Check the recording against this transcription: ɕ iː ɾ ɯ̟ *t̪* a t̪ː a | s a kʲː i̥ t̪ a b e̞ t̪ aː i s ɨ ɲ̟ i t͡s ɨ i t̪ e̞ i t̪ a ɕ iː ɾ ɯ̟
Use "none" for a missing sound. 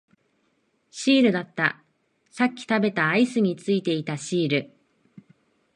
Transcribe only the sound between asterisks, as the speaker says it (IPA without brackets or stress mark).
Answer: d̪